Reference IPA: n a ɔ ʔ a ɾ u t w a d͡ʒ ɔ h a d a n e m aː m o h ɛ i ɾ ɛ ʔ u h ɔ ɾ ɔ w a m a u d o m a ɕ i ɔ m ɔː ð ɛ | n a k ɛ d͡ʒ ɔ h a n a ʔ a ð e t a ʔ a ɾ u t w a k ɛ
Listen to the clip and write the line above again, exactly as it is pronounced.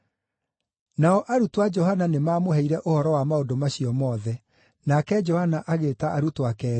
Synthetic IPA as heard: n a ɔ ʔ a ɾ u t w a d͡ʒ ɔ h a n a n e m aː m o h ɛ i ɾ ɛ ʔ o h ɔ ɾ ɔ w a m a o d o m a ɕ i ɔ m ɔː ð ɛ | n a k ɛ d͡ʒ ɔ h a n a ʔ a ɣ e t a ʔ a ɾ u t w a k ɛ